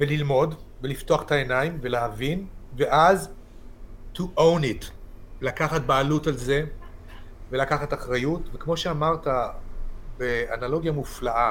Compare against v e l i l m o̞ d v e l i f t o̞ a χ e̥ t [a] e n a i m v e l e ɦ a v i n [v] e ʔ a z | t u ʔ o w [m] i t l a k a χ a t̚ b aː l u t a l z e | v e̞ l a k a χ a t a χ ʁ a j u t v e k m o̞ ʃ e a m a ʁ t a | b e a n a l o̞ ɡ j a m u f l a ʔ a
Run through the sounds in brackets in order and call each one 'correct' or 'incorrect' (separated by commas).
correct, correct, incorrect